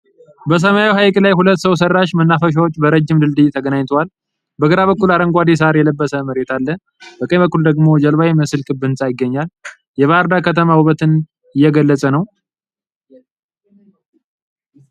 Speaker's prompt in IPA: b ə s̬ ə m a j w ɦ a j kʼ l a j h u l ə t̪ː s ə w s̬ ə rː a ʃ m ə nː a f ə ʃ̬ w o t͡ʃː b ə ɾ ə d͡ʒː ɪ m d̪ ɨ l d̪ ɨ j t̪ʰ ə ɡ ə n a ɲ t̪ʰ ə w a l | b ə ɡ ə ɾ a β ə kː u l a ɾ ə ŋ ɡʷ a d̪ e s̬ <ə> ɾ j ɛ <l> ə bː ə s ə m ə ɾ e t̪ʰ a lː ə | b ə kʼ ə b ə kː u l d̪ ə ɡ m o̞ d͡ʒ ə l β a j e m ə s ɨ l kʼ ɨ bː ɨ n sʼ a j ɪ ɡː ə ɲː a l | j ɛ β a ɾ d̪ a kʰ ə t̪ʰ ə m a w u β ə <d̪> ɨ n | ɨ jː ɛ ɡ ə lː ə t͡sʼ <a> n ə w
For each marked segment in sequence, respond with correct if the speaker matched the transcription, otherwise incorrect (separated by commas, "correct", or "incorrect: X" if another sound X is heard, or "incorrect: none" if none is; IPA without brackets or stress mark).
incorrect: a, correct, incorrect: t̪, incorrect: ə